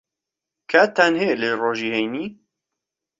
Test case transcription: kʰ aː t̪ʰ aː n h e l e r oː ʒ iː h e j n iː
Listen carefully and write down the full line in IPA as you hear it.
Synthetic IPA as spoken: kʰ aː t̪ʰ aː n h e l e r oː ʒ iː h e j n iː